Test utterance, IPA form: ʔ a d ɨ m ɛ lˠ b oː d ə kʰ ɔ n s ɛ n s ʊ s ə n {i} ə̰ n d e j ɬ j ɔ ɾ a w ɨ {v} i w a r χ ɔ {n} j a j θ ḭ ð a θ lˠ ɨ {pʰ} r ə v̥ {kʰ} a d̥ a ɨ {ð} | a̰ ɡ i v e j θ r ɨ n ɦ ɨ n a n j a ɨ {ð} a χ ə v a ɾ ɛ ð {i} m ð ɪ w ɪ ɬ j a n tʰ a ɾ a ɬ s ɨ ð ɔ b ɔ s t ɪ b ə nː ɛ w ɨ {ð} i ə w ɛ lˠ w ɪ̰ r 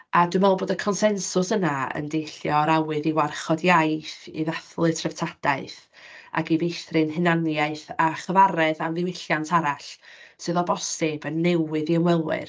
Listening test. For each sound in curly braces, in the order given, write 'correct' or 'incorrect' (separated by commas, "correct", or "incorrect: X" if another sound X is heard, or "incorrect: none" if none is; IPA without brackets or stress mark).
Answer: incorrect: a, incorrect: ð, incorrect: d, incorrect: tʰ, incorrect: tʰ, incorrect: θ, incorrect: θ, incorrect: a, correct